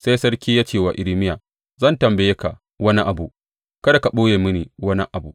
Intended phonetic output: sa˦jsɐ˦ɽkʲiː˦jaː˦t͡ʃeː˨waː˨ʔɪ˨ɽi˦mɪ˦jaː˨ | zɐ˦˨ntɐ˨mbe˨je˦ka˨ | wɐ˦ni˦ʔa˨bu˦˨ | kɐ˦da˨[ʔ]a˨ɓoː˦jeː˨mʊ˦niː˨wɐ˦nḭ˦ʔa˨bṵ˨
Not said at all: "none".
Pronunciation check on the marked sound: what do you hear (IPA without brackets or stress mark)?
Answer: k